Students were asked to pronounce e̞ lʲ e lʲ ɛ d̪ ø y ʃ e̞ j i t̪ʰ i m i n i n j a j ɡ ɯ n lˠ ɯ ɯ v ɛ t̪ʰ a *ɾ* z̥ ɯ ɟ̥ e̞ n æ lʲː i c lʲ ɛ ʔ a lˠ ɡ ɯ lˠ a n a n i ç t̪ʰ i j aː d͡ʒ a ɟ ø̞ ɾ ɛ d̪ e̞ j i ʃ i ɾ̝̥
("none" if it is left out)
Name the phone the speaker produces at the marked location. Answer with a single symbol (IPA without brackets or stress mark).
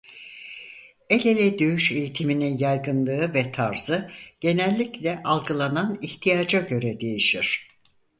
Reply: ɾ